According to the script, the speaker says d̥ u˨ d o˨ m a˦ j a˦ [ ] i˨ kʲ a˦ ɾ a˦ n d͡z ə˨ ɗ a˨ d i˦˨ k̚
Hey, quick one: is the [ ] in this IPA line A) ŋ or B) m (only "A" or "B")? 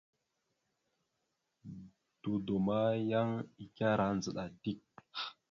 A